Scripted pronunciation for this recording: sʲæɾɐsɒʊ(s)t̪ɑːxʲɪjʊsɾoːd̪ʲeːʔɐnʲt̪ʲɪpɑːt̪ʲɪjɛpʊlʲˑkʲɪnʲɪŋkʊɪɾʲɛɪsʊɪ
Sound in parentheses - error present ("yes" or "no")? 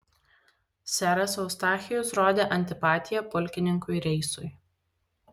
no